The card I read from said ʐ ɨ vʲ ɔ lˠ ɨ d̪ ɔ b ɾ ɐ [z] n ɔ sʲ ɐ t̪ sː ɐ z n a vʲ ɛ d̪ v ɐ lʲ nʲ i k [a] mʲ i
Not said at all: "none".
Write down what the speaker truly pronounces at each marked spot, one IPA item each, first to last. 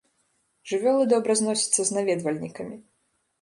z, ɐ

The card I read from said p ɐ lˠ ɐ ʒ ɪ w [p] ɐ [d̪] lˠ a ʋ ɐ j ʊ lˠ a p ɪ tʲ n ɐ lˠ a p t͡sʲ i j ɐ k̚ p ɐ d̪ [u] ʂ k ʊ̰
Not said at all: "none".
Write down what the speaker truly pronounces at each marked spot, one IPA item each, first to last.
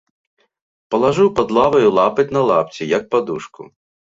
p, d̪, u

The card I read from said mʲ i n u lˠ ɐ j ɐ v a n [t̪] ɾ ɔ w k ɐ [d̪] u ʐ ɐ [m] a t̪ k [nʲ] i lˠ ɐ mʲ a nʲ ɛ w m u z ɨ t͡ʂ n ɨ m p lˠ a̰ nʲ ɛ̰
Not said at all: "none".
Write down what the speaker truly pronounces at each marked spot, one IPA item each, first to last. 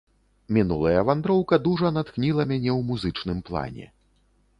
d̪, d̪, n, nʲ

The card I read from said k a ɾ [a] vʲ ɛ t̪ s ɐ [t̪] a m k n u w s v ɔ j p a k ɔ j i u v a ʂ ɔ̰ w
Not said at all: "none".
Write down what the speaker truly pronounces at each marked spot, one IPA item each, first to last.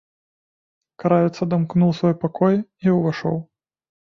a, d̪

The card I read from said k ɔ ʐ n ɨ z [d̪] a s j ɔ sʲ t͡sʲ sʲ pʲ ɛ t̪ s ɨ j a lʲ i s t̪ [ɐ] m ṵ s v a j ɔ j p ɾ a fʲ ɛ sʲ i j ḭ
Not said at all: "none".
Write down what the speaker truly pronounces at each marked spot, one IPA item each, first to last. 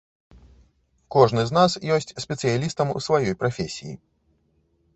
n̪, ɐ

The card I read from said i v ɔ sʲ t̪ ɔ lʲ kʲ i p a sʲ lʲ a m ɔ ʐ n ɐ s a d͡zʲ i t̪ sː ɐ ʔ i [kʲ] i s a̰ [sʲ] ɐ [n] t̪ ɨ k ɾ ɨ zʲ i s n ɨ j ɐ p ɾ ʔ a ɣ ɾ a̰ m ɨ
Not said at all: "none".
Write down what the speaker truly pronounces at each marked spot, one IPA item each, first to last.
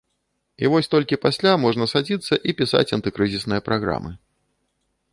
pʲ, t͡sʲ, n

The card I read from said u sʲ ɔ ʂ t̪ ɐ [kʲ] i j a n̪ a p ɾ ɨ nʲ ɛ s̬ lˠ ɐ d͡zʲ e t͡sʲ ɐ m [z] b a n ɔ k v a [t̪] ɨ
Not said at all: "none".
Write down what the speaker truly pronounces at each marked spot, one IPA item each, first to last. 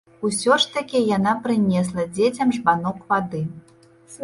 kʲ, ʐ, d̪

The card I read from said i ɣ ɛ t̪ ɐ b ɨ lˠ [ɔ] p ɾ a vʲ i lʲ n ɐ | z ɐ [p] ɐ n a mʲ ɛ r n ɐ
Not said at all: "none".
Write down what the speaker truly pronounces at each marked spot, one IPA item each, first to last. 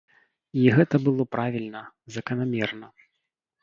ɔ, k

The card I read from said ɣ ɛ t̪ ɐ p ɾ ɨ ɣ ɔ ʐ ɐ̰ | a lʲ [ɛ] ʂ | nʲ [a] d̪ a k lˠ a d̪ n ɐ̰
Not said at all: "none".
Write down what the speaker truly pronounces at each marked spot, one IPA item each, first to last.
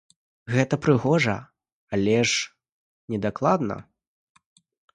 ɛ, ɛ

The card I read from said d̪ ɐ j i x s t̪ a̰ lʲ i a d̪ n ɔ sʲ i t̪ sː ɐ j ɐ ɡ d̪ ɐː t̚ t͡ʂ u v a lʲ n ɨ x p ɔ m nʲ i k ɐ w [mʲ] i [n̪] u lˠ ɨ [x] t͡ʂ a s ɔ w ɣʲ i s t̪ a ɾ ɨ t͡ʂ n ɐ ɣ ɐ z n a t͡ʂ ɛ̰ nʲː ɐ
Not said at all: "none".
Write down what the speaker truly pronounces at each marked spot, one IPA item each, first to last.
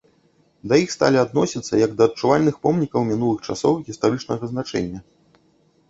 mʲ, n̪, x

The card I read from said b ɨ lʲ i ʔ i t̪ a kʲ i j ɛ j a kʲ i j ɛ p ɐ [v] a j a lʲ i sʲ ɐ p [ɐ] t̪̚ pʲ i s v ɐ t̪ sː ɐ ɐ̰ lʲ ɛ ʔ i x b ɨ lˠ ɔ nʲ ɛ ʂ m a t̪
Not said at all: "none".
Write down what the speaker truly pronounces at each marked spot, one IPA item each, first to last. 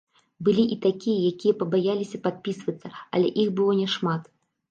b, a

